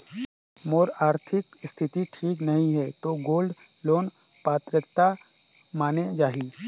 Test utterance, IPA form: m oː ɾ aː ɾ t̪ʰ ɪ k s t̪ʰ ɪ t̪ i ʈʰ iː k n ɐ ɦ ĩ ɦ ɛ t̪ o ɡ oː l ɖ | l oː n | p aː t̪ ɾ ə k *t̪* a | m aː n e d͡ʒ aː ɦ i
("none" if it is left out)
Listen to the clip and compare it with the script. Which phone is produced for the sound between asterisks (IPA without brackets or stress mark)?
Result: t̪